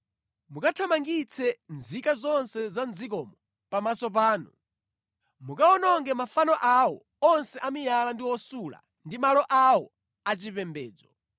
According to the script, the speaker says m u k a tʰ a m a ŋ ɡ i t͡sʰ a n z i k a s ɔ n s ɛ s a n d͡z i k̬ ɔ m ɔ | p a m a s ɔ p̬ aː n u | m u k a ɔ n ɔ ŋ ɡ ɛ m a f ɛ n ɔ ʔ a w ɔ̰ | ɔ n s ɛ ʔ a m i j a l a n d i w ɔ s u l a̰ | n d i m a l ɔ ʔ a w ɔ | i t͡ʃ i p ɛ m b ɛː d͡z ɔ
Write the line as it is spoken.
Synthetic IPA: m u k a tʰ a m a ŋ ɡ i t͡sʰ ɛ n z i k a z ɔ n s ɛ z a n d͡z i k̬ ɔ m ɔ | p a m a s ɔ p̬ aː n u | m u k a ɔ n ɔ ŋ ɡ ɛ m a f a n ɔ ʔ a w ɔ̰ | ɔ n s ɛ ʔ a m i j a l a n d i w ɔ s u l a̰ | n d i m a l ɔ ʔ a w ɔ | a t͡ʃ i p ɛ m b ɛː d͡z ɔ

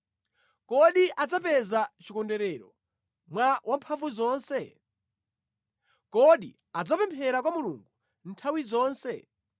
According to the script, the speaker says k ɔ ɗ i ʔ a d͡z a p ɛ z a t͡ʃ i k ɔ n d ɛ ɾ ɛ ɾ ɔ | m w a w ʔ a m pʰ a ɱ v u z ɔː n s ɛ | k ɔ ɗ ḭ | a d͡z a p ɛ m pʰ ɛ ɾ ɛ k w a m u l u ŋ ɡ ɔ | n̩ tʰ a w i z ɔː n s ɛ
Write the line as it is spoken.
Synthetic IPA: k ɔ ɗ i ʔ a d͡z a p ɛ z a t͡ʃ i k ɔ n d ɛ ɾ ɛ ɾ ɔ | m w a w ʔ a m pʰ a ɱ v u z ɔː n s ɛ | k ɔ ɗ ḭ | a d͡z a p ɛ m pʰ ɛ ɾ a k w a m u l u ŋ ɡ u | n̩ tʰ a w i z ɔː n s ɛ

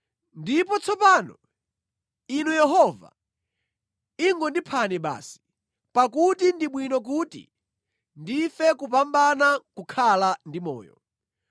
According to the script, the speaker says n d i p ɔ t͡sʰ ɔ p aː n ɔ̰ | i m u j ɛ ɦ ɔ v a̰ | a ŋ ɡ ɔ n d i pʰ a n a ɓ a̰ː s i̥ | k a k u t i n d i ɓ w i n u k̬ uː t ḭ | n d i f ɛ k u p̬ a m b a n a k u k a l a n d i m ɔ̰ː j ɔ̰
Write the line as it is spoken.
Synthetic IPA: n d i p ɔ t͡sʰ ɔ p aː n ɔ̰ | i n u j ɛ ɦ ɔ v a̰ | i ŋ ɡ ɔ n d i pʰ a n ɛ ɓ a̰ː s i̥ | p a k u t i n d i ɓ w i n ɔ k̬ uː t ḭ | n d i f ɛ k u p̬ a m b a n a k u kʰ a l a n d i m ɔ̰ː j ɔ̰

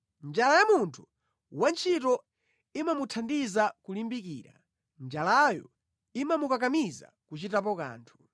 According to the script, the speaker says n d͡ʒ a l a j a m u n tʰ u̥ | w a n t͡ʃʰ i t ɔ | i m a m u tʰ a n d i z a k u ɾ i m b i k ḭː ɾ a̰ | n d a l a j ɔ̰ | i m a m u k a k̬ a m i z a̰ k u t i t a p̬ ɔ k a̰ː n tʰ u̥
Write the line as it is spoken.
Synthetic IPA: n d͡ʒ a l a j a m u n tʰ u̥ | w a n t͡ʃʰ i t ɔ | i m a m u tʰ a n d i z a k u l i m b i k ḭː ɾ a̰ | n d͡ʒ a l a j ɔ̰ | i m a m u k a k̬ a m i z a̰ k u t͡ʃ i t a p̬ ɔ k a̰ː n tʰ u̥

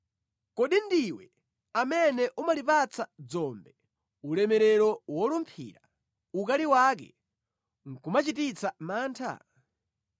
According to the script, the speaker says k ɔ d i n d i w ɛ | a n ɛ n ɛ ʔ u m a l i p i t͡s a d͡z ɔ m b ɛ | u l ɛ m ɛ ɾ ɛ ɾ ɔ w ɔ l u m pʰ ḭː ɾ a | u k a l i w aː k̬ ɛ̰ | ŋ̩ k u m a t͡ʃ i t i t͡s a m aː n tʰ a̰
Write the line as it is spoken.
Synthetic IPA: k ɔ ɗ i n d i w ɛ | a m ɛ n ɛ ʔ u m a l i p a t͡s a d͡z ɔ m b ɛ | u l ɛ m ɛ ɾ ɛ ɾ ɔ w ɔ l u m pʰ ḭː ɾ a | u k a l i w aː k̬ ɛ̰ | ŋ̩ k u m a t͡ʃ i t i t͡s a m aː n tʰ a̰

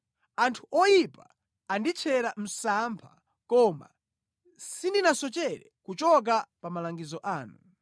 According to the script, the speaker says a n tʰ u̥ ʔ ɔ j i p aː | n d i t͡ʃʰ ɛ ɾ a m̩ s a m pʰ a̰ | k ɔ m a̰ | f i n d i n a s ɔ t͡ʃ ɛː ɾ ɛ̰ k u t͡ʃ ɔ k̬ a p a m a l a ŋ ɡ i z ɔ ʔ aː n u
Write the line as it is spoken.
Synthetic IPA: a n tʰ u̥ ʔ ɔ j i p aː | n d i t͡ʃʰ ɛ ɾ a m̩ s a m pʰ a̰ | k ɔ m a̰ | s i n d i n a s ɔ t͡ʃ ɛ ɾ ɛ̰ k u t͡ʃ ɔ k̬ a p a m a l a ŋ ɡ i z ɔ ʔ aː n u

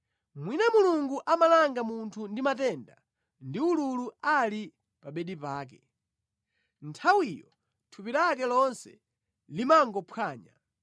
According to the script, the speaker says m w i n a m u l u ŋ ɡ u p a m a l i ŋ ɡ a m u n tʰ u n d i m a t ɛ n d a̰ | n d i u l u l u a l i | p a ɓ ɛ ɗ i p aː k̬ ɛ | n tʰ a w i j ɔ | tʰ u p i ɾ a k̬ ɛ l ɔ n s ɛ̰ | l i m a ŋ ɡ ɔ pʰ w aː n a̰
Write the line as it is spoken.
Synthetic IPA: m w i n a m u l u ŋ ɡ u ʔ a m a l a ŋ ɡ a m u n tʰ u n d i m a t ɛ n d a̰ | n d i u l u l u a l i | p a ɓ ɛ ɗ i p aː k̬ ɛ | n tʰ a w i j ɔ | tʰ u p i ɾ a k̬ ɛ l ɔ n s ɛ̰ | l i m a ŋ ɡ ɔ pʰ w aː ɲ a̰

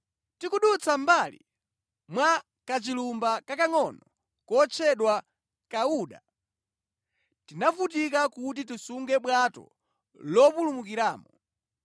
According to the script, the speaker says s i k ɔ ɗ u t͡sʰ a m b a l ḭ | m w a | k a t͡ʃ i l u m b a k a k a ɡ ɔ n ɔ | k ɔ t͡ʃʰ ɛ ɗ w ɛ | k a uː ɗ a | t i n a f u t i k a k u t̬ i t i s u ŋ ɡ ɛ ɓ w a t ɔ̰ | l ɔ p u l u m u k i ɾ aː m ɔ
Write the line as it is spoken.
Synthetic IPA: t i k u ɗ u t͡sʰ a m b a l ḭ | m w a | k a t͡ʃ i l u m b a k a k a ŋ ɔ n ɔ | k ɔ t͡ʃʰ ɛ ɗ w a | k a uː ɗ a | t i n a f u t i k a k u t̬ i t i s u ŋ ɡ ɛ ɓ w a t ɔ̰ | l ɔ p u l u m u k i ɾ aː m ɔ

